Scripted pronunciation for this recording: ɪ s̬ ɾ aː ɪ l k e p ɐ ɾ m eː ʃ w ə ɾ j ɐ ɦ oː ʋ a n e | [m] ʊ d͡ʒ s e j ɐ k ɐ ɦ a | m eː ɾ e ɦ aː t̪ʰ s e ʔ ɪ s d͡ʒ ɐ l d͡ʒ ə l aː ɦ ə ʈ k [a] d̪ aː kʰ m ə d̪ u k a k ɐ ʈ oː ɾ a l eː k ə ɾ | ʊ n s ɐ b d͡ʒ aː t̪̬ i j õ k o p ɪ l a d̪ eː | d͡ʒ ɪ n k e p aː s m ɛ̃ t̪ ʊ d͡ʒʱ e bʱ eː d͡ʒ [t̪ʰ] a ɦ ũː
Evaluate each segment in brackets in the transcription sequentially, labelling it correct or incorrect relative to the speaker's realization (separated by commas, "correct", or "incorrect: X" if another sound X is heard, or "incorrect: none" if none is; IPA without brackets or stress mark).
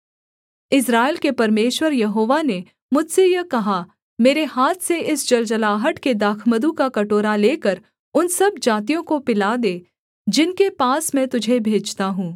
correct, incorrect: e, incorrect: t̪